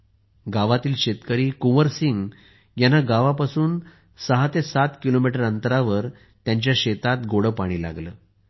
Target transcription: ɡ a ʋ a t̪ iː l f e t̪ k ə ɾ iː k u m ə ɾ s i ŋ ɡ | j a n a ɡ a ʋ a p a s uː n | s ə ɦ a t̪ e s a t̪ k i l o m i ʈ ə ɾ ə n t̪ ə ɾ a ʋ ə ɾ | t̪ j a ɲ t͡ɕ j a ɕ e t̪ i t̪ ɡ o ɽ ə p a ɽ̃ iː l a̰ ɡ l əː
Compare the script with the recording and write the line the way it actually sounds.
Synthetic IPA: ɡ a ʋ a t̪ iː l ɕ e t̪ k ə ɾ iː k u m ə ɾ s i ŋ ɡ | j a n a ɡ a ʋ a p a s uː n | s ə ɦ a t̪ e s a t̪ k i l o m i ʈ ə ɾ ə n t̪ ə ɾ a ʋ ə ɾ | t̪ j a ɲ t͡ɕ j a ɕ e t̪ a t̪ ɡ o ɽ ə p a ɽ̃ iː l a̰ ɡ l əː